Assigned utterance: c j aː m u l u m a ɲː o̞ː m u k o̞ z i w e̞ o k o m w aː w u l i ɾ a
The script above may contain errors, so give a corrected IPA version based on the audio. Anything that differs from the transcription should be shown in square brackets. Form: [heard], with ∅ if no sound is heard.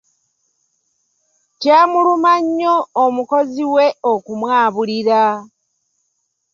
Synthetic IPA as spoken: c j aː m u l u m a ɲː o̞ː m u k o̞ z i w e̞ o k [u] m w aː [β] u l i ɾ a